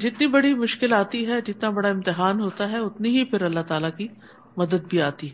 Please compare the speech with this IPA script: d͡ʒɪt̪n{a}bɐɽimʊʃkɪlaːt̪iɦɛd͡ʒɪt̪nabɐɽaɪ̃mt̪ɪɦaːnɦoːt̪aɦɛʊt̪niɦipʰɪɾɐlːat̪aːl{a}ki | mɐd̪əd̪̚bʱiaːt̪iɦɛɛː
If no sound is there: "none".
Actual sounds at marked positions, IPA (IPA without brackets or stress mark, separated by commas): i, a